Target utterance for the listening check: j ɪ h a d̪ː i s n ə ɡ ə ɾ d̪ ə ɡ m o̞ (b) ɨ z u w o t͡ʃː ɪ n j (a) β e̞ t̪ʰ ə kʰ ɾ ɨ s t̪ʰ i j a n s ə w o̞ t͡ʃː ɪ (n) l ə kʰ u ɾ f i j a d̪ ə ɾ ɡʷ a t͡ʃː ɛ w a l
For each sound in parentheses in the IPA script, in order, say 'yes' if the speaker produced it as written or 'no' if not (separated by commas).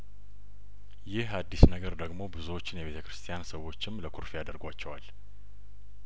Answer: yes, no, no